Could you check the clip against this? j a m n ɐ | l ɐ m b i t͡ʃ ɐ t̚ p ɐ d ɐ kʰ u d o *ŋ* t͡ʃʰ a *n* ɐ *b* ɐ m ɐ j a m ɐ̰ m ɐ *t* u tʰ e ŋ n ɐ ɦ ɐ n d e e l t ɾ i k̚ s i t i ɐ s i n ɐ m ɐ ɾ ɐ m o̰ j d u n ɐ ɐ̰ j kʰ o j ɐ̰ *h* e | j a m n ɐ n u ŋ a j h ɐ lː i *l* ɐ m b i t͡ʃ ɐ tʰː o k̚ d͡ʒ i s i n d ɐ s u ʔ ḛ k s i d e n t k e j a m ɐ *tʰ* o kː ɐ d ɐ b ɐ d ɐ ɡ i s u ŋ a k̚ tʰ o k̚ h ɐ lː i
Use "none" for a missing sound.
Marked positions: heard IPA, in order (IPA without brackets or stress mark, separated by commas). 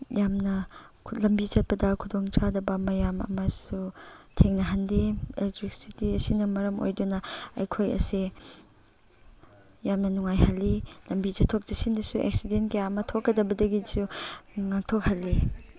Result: ŋ, d, b, s, s, l, tʰ